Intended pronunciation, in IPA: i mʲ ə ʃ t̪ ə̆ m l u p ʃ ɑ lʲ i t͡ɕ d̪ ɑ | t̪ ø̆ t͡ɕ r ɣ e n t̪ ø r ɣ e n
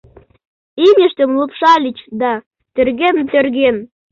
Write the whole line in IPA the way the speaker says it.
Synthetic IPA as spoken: i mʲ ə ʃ t̪ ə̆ m l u p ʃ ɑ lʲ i t͡ɕ d̪ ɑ | t̪ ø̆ r ɣ e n t̪ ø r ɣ e n